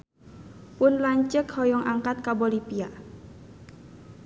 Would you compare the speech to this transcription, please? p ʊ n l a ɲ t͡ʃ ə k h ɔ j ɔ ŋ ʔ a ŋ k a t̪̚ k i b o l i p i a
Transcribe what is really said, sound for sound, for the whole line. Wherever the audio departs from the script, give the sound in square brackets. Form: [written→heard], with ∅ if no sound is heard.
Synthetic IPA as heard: p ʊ n l a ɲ t͡ʃ ə k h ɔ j ɔ ŋ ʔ a ŋ k a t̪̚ k [i→a] b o l i p i a